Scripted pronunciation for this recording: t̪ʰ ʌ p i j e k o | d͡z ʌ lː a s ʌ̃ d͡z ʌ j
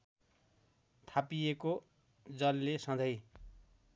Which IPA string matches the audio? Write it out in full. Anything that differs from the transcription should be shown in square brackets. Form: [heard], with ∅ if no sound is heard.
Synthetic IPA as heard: t̪ʰ [a] p i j e k o | d͡z ʌ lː [e] s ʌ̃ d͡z ʌ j

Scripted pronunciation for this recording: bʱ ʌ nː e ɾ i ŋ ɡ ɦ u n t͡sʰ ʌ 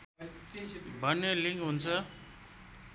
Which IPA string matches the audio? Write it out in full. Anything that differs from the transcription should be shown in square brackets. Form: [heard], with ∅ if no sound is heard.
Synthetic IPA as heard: bʱ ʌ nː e [l] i ŋ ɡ ɦ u n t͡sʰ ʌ

